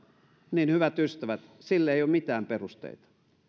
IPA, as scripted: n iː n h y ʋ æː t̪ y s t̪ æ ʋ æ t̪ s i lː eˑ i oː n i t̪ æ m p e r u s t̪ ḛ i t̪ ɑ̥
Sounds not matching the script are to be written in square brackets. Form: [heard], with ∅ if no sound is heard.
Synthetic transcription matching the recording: n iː n h y ʋ [æ] t̪ y s t̪ æ ʋ æ t̪ s i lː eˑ i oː [m] i t̪ [æː] m p e r u s t̪ ḛ i t̪ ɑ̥